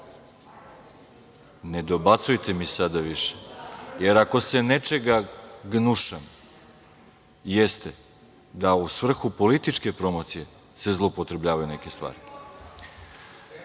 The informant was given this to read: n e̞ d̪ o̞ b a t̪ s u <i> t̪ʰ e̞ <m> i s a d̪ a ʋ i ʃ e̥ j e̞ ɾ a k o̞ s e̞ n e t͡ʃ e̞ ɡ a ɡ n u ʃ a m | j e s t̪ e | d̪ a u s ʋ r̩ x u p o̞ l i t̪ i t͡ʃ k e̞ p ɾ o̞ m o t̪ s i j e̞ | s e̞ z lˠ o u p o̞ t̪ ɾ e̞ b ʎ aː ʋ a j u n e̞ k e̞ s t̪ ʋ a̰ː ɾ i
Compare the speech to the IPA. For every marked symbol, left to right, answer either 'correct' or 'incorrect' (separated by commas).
incorrect, correct